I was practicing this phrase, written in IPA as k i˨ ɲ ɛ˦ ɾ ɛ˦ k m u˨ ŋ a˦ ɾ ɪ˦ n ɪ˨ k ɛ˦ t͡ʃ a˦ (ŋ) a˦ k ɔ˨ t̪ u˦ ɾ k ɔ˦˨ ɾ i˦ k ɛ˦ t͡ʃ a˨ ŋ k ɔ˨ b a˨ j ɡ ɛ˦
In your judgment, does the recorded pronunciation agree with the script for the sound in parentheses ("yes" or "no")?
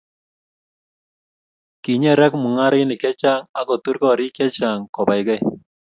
yes